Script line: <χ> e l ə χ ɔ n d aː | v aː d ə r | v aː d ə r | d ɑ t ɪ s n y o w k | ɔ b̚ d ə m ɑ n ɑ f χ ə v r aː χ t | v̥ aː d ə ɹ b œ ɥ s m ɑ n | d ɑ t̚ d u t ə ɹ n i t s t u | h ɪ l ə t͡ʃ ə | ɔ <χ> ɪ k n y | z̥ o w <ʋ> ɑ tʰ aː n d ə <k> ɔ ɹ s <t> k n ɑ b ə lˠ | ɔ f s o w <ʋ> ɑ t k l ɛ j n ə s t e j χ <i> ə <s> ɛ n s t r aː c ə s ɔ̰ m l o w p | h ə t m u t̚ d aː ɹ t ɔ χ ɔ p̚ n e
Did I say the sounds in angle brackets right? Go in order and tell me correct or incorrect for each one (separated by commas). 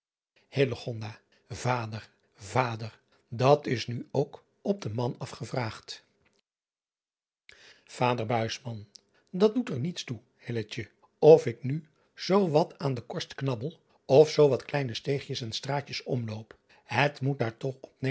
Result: incorrect, incorrect, correct, correct, correct, correct, incorrect, correct